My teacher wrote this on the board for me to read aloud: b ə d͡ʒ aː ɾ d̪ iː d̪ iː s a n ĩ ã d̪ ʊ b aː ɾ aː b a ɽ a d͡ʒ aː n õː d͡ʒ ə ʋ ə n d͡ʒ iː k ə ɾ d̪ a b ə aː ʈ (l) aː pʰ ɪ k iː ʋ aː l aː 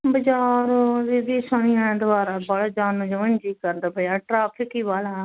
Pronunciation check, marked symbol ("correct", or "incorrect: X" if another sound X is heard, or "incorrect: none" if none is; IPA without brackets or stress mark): incorrect: ɾ